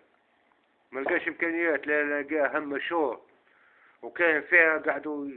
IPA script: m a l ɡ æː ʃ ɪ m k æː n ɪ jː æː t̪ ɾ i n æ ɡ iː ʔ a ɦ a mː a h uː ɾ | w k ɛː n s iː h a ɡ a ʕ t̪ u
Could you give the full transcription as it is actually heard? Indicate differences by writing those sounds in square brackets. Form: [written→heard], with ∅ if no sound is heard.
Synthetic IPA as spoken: m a l ɡ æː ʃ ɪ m k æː n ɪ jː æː t̪ [ɾ→l] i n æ ɡ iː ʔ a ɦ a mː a [h→ʃ] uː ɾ | w k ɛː n [s→f] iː h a ɡ a ʕ [t̪→d̪] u